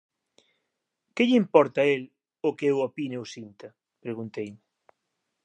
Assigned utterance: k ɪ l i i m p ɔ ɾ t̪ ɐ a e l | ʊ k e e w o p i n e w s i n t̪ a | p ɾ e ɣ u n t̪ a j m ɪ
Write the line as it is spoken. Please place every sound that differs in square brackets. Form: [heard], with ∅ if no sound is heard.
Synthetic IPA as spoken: k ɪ [ʎ] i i m p ɔ ɾ t̪ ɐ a e l | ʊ k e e w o p i n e w s i n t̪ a | p ɾ e ɣ u n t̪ [e] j m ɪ